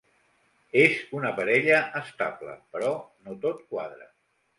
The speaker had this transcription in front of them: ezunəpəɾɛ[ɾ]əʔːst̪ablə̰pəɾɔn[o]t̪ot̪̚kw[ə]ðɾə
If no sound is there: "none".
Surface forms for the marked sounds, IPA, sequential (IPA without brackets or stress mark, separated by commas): ʎ, o, a